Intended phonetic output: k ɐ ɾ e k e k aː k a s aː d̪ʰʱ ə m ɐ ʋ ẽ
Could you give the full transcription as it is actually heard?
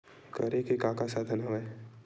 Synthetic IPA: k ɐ ɾ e k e k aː k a s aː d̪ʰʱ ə n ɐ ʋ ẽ

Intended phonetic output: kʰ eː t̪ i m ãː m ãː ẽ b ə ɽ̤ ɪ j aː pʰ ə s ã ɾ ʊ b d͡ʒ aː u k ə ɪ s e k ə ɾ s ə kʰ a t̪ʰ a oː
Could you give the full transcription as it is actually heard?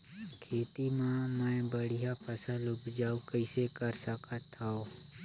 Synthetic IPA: kʰ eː t̪ i m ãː m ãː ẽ b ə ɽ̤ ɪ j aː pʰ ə s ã l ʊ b d͡ʒ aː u k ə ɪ s e k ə ɾ s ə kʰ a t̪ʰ a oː

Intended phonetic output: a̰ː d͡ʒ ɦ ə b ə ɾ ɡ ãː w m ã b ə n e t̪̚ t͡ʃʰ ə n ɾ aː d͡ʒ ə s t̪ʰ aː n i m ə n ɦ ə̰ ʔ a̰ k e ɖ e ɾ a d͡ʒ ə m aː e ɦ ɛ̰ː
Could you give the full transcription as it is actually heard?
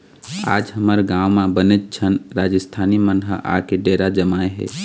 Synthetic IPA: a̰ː d͡ʒ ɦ ə m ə ɾ ɡ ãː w m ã b ə n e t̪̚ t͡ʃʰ ə n ɾ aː d͡ʒ ə s t̪ʰ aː n i m ə n ɦ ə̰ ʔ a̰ k e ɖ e ɾ a d͡ʒ ə m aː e ɦ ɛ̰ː

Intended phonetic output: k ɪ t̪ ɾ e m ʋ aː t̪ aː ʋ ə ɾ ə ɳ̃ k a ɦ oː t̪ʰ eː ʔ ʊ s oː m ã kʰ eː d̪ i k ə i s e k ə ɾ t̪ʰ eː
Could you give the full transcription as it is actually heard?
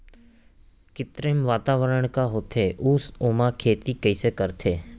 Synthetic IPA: k ɪ t̪ ɾ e m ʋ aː t̪ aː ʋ ə ɾ ə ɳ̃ k a ɦ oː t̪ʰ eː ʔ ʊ s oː m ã kʰ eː t̪ i k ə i s e k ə ɾ t̪ʰ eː

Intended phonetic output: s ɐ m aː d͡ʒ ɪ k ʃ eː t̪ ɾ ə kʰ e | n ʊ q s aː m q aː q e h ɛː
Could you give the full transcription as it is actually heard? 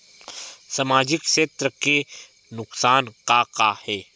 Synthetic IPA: s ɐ m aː d͡ʒ ɪ k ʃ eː t̪ ɾ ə k e | n ʊ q s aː n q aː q a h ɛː

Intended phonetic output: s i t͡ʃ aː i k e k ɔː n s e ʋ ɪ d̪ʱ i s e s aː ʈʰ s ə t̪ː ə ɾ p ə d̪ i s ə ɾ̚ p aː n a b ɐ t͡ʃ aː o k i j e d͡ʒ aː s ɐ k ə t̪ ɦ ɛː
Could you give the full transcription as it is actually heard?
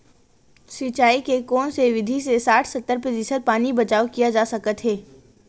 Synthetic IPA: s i t͡ʃ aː i k e k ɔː n s e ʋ ɪ d̪ʱ i s e s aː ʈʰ s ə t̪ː ə ɾ p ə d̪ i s ə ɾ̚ p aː n i b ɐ t͡ʃ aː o k i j a d͡ʒ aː s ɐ k ə t̪ ɦ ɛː

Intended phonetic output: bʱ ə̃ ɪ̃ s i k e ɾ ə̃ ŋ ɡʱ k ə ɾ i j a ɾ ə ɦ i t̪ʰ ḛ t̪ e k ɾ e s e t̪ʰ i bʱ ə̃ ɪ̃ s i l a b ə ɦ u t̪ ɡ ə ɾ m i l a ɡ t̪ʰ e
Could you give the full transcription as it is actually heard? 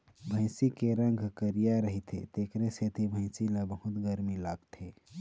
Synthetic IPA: bʱ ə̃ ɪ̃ s i k e ɾ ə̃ ŋ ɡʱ k ə ɾ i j a ɾ ə ɦ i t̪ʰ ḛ t̪ e k ɾ e s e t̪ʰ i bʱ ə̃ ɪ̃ s i l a b ə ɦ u t̪ ɡ ə ɾ m i l a ɡ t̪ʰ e

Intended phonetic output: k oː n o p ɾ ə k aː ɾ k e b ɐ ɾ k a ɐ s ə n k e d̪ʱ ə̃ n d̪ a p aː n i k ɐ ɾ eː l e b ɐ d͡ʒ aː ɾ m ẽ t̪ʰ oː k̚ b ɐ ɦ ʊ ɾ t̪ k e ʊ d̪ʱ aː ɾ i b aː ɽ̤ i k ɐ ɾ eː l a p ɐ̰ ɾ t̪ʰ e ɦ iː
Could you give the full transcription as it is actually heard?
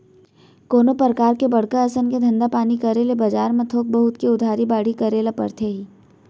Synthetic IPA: k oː n o p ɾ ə k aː ɾ k e b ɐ ɽ k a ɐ s ə n k e d̪ʱ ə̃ n d̪ a p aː n i k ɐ ɾ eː l e b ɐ d͡ʒ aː ɾ m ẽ t̪ʰ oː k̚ b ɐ ɦ ʊ t̪ k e ʊ d̪ʱ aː ɾ i b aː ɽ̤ i k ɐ ɾ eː l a p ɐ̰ ɾ t̪ʰ e ɦ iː

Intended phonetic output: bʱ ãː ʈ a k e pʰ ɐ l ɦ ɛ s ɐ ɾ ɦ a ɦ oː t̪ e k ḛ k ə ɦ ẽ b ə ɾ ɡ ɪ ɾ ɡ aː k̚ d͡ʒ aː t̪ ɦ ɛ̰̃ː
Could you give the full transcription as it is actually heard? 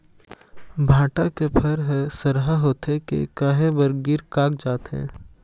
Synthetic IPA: bʱ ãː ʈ a k e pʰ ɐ ɾ ɦ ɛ s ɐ ɾ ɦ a ɦ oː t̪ e k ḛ k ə ɦ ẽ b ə ɾ ɡ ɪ ɾ k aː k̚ d͡ʒ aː t̪ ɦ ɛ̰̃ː

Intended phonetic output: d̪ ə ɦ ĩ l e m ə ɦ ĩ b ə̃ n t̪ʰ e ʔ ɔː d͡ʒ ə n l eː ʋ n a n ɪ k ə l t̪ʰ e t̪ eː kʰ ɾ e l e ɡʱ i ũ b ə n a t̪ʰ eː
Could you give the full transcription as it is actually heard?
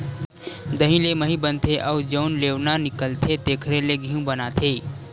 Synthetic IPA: d̪ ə ɦ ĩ l e m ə ɦ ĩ b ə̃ n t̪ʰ e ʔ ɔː d͡ʒ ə n l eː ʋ n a n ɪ k ə l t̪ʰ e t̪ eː kʰ ɾ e l e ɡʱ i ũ b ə n a t̪ʰ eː

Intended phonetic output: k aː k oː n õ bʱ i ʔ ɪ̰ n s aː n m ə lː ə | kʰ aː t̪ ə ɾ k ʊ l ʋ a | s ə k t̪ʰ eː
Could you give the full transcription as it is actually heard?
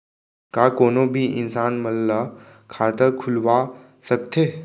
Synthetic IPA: k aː k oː n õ bʱ i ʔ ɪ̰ n s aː n m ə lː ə | kʰ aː t̪ ə ɾ kʰ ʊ l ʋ a | s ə k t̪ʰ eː

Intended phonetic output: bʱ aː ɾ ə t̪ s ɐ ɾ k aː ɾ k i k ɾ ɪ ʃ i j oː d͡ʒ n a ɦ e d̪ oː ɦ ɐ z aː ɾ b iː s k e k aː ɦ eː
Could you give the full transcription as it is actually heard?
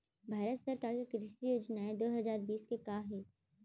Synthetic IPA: bʱ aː ɾ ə t̪ s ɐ ɾ k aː ɾ k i k ɾ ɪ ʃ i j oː d͡ʒ n a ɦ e d̪ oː ɦ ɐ z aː ɾ b iː s k e k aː ɦ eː

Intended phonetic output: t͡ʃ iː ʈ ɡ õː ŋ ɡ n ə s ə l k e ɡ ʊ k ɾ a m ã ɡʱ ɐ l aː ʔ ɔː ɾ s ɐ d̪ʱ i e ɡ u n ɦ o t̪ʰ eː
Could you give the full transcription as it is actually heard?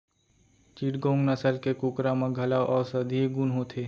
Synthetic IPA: t͡ʃ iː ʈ ɡ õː ŋ ɡ n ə s ə l k e k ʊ k ɾ a m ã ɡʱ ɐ l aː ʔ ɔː ɾ s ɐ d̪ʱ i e ɡ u n ɦ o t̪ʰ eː

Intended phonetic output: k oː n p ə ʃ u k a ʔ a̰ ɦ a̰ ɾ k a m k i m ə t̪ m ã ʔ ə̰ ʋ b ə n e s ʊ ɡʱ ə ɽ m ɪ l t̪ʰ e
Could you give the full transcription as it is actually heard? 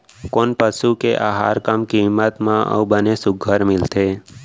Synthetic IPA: k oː n p ə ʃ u k e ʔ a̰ ɦ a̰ ɾ k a m k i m ə t̪ m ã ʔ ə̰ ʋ b ə n e s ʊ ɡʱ ə ɾ m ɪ l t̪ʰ e

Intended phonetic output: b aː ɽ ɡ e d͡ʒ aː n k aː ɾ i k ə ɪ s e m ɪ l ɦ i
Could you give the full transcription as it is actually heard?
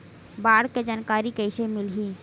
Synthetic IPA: b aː ɽ k e d͡ʒ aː n k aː ɾ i k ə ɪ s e m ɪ l ɦ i

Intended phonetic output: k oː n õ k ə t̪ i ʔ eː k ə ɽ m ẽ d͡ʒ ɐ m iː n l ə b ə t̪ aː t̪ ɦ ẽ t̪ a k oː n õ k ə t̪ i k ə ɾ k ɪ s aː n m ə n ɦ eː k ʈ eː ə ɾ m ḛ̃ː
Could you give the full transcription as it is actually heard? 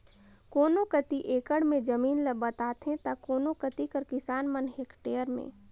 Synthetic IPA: k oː n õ k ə t̪ i ʔ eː k ə ɽ m ẽ d͡ʒ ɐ m iː n l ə b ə t̪ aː t̪ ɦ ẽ t̪ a k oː n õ k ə t̪ i k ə ɾ k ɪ s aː n m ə n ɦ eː k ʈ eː ə ɾ m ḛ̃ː

